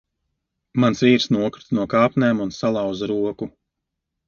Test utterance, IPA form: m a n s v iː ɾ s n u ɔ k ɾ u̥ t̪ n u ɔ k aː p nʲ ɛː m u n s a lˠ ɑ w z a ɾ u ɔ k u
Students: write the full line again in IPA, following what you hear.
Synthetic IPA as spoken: m a n s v iː ɾ s n u ɔ k ɾ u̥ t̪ n u ɔ k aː p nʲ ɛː m u n s a lˠ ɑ w z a ɾ u ɔ k u